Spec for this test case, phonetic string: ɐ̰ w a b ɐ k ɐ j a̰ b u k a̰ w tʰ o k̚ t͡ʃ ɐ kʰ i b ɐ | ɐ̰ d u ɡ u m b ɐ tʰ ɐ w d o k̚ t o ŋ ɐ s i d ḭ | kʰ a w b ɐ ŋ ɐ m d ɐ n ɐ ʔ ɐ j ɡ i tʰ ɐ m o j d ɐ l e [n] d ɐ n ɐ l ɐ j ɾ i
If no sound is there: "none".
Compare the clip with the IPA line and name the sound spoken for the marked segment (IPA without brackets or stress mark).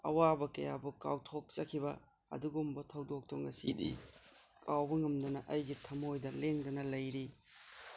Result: ŋ